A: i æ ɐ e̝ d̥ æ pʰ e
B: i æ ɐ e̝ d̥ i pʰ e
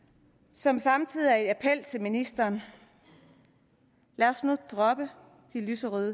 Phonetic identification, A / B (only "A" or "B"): A